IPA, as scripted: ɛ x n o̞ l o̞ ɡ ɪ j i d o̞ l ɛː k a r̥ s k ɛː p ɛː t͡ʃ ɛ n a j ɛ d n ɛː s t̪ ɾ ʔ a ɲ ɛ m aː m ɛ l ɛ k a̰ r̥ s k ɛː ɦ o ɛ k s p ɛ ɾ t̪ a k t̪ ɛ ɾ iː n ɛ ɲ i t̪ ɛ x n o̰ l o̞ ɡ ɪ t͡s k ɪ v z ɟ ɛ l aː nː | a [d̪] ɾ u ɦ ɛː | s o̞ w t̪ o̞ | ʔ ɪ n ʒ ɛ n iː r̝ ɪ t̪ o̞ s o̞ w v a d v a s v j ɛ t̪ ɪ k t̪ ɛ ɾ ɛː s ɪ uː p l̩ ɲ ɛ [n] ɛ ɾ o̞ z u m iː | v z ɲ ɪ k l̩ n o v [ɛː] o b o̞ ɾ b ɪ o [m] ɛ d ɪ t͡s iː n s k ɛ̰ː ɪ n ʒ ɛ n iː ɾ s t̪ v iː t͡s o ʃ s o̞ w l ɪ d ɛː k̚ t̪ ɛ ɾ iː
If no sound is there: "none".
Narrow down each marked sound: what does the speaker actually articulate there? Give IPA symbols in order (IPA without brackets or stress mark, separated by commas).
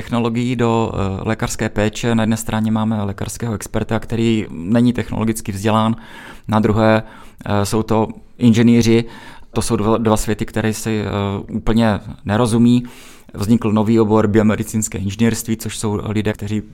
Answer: d̪, n, iː, m